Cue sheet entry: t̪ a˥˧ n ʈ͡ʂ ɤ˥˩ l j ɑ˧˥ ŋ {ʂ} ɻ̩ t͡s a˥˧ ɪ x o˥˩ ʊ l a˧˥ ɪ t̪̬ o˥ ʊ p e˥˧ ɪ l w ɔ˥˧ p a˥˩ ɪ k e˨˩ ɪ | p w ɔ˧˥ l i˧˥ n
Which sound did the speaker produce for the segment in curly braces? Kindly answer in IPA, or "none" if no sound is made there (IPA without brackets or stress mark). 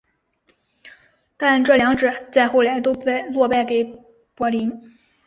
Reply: ʈ͡ʂ